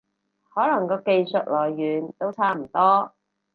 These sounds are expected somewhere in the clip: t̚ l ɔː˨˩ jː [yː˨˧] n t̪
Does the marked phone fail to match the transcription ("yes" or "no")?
no